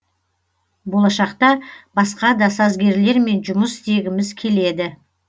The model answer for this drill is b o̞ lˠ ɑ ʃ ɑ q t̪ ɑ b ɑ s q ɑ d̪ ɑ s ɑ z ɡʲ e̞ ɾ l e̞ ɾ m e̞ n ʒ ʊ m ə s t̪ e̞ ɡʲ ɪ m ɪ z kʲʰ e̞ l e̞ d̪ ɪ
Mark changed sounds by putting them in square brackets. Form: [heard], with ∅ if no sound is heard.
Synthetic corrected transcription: b o̞ lˠ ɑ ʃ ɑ q t̪ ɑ b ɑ s q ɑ d̪ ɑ s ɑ z ɡʲ e̞ ɾ l e̞ ɾ m e̞ n ʒ ʊ m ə s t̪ e̞ ɡʲ ɪ m ɪ z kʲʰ e̞ l e̞ d̪ ɪ